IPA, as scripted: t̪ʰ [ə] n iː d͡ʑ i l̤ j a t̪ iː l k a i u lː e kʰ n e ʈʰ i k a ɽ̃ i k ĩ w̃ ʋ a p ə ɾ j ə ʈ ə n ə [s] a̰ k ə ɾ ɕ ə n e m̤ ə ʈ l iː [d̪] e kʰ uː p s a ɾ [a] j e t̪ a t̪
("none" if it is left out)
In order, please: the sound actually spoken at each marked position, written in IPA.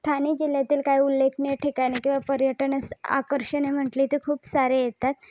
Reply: a, s, t̪, e

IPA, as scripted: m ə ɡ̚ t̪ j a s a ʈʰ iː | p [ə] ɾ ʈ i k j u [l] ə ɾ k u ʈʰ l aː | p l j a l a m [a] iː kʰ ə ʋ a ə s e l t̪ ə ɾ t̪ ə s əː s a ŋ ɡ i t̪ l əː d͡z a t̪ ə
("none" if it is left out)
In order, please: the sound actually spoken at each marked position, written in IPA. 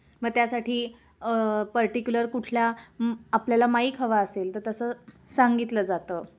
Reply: ə, l, a

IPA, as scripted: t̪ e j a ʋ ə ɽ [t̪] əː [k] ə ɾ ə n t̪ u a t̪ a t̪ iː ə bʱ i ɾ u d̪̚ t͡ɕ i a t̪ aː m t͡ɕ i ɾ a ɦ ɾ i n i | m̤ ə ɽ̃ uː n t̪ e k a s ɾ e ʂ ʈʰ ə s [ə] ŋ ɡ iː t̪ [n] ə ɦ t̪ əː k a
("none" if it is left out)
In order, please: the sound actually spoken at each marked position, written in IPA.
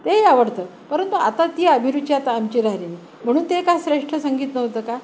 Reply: t̪, p, ə, n

